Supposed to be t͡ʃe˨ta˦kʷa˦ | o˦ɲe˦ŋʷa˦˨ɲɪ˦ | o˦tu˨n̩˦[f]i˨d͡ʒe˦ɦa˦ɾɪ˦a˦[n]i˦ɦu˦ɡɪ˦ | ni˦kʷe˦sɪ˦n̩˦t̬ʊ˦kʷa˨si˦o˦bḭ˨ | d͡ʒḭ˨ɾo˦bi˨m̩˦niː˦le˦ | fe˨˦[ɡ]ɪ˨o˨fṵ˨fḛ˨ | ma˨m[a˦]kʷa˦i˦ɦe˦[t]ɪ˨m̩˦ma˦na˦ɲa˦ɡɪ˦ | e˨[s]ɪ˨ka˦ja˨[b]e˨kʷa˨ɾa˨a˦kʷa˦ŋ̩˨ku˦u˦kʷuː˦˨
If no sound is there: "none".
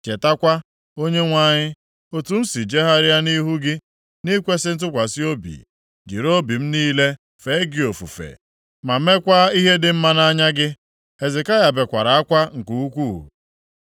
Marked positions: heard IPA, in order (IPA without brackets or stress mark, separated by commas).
s, n, ɡ, e˦, d, z, b